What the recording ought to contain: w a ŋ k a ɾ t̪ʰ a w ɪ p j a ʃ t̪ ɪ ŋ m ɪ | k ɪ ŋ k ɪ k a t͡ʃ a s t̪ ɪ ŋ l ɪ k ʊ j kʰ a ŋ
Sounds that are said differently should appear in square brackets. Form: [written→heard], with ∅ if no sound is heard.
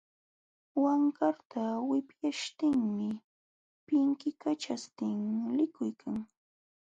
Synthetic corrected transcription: w a ŋ k a ɾ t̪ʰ a w ɪ p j a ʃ t̪ ɪ ŋ m ɪ | [k→p] ɪ ŋ k ɪ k a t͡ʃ a s t̪ ɪ ŋ l ɪ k ʊ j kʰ a ŋ

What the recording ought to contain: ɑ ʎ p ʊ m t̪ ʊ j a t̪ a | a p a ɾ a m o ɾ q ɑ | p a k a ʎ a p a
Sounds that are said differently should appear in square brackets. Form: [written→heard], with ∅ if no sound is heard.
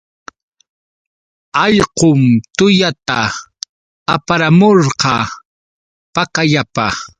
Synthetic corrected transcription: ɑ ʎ [p→q] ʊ m t̪ ʊ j a t̪ a | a p a ɾ a m o ɾ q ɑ | p a k a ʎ a p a

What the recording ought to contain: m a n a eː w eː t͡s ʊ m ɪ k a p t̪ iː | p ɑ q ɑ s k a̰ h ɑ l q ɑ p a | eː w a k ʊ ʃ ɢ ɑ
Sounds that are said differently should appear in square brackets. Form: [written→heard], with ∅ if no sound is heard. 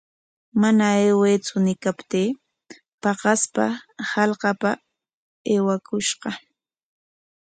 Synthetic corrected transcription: m a n a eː w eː t͡s ʊ [m→n] ɪ k a p t̪ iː | p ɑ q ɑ s [k→p] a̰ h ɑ l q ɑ p a | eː w a k ʊ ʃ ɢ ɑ

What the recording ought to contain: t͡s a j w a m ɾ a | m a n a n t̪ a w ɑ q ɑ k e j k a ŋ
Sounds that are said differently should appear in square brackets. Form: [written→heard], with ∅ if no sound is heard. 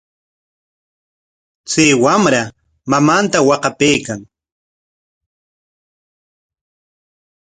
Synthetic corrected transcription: t͡s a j w a m ɾ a | m a [n→m] a n t̪ a w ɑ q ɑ [k→p] e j k a ŋ

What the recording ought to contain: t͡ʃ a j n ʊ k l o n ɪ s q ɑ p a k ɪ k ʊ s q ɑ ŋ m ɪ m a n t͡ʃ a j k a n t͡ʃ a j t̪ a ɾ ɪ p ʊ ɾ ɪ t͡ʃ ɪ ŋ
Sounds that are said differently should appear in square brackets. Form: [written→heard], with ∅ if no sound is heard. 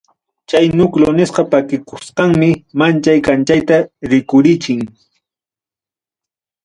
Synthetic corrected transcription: t͡ʃ a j n ʊ k l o n ɪ s q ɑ p a k ɪ k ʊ s q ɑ ŋ m ɪ m a n t͡ʃ a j k a n t͡ʃ a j t̪ a ɾ ɪ [p→k] ʊ ɾ ɪ t͡ʃ ɪ ŋ

